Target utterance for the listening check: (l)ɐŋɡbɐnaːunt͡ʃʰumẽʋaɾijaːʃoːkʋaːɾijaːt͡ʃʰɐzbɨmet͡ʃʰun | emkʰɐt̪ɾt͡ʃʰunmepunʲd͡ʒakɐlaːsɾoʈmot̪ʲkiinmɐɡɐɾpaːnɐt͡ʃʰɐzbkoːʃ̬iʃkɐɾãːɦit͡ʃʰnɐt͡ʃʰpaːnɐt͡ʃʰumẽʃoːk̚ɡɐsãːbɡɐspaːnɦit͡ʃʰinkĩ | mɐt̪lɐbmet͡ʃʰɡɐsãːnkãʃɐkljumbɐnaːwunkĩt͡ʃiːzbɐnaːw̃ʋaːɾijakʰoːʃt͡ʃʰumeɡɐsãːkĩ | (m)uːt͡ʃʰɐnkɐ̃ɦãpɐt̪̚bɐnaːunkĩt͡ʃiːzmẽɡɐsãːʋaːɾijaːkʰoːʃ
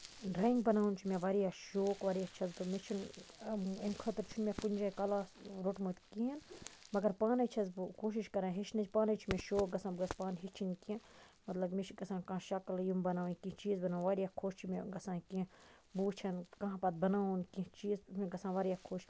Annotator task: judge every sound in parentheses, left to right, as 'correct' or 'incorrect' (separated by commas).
incorrect, incorrect